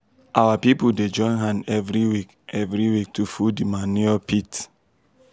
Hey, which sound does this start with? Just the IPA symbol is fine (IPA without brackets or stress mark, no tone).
a